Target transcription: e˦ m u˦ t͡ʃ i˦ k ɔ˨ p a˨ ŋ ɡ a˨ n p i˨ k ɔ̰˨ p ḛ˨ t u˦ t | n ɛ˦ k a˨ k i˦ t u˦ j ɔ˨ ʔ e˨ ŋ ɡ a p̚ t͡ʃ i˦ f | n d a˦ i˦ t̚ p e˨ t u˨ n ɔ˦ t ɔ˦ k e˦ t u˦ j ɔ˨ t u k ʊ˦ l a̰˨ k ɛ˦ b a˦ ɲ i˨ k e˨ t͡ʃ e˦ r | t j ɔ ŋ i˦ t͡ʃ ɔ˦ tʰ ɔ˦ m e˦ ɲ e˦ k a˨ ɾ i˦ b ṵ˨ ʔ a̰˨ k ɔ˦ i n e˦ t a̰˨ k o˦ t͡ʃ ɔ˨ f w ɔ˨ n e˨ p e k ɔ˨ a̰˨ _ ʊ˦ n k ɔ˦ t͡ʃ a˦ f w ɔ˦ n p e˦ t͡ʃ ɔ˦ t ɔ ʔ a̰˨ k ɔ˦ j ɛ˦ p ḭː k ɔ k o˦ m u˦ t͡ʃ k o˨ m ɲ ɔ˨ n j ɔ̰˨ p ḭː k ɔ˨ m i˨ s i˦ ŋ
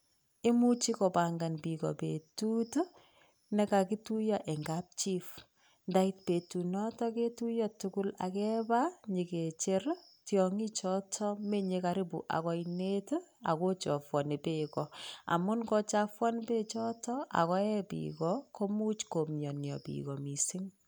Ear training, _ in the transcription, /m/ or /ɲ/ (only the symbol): m